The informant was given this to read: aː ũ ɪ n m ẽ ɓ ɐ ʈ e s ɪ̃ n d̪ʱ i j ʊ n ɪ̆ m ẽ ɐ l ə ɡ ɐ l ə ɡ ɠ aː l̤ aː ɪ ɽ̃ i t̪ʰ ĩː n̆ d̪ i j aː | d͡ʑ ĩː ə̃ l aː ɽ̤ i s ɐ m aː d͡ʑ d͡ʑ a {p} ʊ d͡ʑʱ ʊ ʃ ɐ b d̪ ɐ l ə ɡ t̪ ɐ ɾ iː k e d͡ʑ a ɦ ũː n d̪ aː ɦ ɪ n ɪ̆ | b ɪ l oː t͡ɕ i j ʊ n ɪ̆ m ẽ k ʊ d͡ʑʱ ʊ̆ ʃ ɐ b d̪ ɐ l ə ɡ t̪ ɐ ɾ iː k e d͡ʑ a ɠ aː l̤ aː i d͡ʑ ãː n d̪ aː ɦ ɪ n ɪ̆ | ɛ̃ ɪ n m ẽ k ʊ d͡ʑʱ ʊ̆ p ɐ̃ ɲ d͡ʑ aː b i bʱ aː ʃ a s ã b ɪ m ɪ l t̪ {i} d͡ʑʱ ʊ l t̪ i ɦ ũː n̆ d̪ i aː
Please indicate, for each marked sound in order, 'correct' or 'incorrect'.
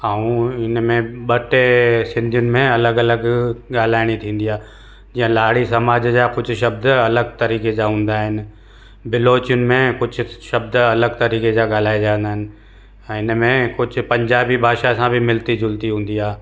incorrect: k, correct

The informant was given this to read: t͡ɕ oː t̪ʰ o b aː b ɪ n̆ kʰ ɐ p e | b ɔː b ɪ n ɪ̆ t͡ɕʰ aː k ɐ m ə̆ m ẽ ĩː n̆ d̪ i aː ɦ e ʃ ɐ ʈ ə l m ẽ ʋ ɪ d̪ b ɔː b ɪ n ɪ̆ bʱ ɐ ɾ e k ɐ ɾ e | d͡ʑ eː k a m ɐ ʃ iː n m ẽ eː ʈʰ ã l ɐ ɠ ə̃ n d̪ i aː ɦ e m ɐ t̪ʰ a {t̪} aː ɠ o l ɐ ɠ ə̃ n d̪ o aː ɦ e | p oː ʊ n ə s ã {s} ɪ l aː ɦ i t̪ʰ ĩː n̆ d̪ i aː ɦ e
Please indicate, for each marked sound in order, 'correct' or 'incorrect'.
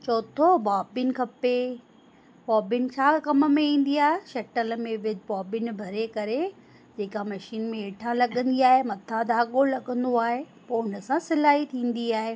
incorrect: d̪, correct

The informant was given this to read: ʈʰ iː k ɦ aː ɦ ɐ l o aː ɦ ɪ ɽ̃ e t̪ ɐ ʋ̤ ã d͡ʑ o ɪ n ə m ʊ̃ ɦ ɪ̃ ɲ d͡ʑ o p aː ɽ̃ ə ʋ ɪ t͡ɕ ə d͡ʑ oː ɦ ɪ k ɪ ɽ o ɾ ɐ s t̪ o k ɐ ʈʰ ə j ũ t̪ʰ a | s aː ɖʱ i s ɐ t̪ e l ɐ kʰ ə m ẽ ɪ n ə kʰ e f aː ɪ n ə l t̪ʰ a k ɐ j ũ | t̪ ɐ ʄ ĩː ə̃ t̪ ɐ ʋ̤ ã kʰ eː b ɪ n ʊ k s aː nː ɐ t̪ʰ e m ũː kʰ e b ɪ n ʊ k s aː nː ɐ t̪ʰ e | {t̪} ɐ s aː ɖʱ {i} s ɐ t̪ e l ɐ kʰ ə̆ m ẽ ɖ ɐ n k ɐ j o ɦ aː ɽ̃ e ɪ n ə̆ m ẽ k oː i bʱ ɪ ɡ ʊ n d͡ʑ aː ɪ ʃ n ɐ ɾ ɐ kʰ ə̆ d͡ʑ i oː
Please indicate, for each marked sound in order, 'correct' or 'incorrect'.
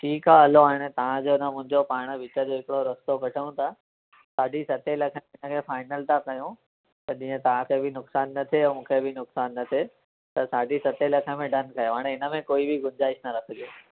correct, correct

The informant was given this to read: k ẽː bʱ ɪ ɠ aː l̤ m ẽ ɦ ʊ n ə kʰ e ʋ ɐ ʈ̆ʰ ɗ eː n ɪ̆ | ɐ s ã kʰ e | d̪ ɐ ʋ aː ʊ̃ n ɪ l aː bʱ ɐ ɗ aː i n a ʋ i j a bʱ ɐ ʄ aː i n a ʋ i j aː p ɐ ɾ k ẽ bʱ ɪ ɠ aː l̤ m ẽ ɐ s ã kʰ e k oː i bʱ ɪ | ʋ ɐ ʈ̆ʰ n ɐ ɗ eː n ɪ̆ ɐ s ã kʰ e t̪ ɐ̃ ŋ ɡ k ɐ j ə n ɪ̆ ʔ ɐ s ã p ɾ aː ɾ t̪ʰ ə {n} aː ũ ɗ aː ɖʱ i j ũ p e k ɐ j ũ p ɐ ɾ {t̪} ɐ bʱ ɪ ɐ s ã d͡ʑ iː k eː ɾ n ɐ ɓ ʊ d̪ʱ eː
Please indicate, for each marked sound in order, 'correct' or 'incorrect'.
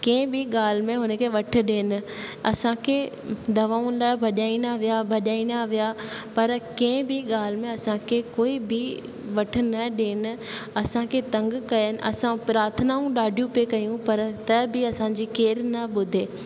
correct, correct

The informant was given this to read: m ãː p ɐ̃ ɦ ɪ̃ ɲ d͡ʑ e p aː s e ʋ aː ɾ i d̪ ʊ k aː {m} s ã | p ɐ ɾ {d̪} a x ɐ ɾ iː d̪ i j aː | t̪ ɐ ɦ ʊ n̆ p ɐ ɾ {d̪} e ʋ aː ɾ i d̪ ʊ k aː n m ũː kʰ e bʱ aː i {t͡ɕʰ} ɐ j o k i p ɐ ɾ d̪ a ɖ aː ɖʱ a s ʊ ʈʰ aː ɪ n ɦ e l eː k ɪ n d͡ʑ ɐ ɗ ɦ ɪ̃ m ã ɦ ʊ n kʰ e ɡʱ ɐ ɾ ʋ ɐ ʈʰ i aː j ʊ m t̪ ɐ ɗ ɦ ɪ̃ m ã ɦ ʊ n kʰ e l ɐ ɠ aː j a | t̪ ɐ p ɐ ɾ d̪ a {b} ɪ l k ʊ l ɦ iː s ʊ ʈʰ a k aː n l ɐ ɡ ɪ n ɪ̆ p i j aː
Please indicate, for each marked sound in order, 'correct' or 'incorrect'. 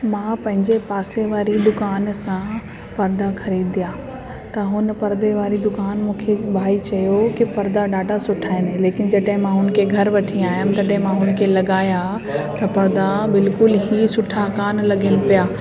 incorrect: n, correct, correct, incorrect: t͡ɕ, correct

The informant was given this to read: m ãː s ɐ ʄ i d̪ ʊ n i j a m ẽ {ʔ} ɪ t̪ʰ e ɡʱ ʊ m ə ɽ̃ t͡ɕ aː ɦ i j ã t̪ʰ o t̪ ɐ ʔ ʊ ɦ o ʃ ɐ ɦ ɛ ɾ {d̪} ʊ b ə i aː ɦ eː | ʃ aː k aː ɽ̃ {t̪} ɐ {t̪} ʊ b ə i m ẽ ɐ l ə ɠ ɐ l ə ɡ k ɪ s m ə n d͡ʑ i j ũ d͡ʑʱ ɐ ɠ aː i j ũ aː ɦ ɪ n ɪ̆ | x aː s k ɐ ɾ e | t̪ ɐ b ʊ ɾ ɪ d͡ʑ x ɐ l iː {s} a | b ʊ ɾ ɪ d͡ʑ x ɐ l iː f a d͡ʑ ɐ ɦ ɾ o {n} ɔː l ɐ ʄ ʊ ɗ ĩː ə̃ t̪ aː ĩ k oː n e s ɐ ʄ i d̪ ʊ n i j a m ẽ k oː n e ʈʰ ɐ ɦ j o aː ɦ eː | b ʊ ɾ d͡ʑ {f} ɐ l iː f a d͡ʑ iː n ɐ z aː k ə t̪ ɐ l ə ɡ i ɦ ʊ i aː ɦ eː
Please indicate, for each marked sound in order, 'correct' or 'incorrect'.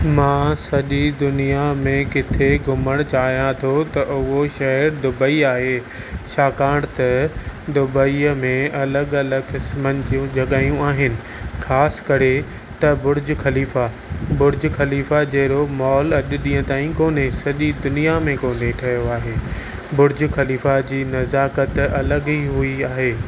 incorrect: k, correct, correct, incorrect: d̪, incorrect: f, incorrect: m, incorrect: x

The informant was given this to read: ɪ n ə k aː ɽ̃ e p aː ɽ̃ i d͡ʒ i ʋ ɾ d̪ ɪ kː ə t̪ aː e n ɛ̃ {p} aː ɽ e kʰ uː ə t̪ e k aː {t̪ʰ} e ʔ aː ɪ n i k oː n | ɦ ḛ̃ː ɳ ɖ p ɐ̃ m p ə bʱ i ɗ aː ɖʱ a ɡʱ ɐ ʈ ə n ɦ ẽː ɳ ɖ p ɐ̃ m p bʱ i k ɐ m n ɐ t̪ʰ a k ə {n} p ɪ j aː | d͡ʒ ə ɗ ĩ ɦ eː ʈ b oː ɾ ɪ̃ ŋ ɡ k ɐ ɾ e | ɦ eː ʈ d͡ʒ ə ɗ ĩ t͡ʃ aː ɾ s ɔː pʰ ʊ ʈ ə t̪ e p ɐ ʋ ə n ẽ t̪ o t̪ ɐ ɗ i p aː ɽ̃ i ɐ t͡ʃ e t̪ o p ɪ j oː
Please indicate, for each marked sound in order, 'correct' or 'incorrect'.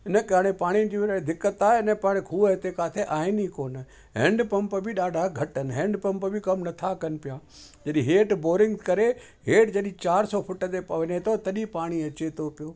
correct, correct, correct

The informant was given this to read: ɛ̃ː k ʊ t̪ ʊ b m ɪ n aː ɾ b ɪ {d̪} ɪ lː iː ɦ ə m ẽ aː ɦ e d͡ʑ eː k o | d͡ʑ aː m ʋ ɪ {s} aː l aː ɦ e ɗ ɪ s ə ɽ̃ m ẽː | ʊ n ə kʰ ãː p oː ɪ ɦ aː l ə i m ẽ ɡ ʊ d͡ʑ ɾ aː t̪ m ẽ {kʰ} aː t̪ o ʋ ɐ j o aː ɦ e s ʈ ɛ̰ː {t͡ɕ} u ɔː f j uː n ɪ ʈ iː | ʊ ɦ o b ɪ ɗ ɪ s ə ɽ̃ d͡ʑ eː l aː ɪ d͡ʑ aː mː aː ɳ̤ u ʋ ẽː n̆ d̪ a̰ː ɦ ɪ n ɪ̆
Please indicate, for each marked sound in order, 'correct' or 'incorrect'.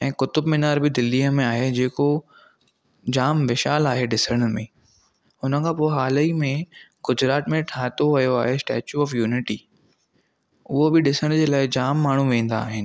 correct, incorrect: ʃ, incorrect: ʈʰ, correct

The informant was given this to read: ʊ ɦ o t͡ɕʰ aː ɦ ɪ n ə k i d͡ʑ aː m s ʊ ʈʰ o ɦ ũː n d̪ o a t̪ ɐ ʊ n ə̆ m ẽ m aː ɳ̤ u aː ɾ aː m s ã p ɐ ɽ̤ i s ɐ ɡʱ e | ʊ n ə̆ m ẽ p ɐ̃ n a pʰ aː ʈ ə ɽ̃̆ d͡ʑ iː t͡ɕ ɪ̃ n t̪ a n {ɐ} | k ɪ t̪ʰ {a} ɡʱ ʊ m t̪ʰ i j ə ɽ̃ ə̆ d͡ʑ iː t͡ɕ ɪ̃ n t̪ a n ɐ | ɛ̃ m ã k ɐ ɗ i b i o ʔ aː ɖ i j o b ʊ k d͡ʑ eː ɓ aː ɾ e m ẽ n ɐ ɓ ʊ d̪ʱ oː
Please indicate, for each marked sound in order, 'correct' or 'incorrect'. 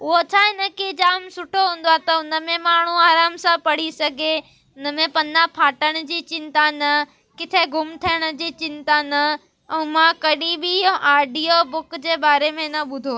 correct, incorrect: e

